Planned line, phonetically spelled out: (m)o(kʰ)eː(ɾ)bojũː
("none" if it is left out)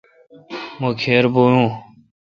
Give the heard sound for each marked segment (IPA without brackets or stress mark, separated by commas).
m, kʰ, ɾ